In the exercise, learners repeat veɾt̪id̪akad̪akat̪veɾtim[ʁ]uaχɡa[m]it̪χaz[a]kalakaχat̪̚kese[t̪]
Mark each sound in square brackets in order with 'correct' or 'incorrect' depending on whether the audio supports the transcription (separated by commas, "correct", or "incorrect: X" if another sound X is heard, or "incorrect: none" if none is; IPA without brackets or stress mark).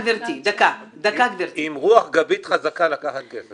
correct, incorrect: b, correct, incorrect: none